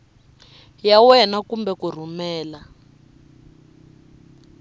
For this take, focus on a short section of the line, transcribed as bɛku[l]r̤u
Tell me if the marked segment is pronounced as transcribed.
no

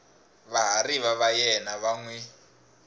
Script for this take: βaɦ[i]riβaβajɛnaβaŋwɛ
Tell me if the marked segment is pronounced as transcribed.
no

